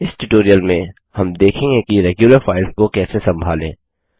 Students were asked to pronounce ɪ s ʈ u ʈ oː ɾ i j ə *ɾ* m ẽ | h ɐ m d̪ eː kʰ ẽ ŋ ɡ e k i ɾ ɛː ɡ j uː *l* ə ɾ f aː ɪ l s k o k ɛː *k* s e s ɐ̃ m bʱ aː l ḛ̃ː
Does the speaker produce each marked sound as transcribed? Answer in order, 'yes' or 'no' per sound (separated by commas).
no, yes, no